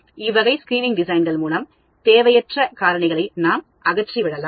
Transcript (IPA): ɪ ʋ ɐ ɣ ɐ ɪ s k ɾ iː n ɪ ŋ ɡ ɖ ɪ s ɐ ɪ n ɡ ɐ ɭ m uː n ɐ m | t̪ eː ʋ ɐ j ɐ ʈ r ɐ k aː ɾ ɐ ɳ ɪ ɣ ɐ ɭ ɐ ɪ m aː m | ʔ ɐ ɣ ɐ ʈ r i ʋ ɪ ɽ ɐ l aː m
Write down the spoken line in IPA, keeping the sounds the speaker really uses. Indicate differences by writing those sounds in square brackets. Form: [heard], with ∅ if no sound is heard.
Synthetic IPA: ɪ ʋ ɐ ɣ ɐ ɪ s k ɾ iː n ɪ ŋ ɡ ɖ ɪ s ɐ ɪ n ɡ ɐ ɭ m uː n ɐ m | t̪ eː ʋ ɐ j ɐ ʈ r ɐ k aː ɾ ɐ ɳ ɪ ɣ ɐ ɭ ɐ ɪ [n] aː m | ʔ ɐ ɣ ɐ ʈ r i ʋ ɪ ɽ ɐ l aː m